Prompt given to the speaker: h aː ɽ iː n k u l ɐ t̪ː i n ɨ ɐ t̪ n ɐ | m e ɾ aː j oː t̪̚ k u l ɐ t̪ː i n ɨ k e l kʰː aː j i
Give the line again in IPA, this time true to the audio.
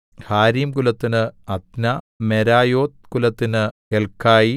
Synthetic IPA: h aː ɾ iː m k u l ɐ t̪ː i n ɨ ɐ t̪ n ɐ | m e ɾ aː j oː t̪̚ k u l ɐ t̪ː i n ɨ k e l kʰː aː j i